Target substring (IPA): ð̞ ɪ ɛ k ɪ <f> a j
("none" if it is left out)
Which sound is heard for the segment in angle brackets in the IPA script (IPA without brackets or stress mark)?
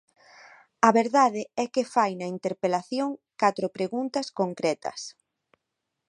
f